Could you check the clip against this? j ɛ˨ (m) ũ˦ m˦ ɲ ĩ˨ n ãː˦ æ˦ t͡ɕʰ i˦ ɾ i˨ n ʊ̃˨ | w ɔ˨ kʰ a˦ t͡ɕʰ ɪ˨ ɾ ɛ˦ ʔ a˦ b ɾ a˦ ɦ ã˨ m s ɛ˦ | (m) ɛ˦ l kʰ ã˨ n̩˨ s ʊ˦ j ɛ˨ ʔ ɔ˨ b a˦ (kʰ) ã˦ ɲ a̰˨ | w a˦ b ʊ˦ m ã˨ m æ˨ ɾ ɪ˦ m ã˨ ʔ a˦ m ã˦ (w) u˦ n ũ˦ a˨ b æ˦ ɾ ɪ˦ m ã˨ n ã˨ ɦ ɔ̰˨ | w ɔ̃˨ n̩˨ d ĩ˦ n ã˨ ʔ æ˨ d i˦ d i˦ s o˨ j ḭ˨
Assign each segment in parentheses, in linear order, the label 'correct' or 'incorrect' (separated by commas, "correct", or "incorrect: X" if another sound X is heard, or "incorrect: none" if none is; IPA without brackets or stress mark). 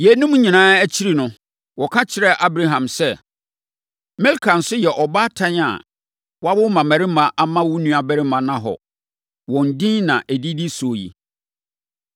incorrect: n, correct, incorrect: tʰ, correct